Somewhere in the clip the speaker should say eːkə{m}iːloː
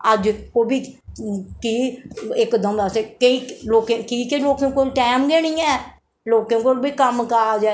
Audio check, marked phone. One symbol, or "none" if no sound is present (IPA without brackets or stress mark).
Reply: none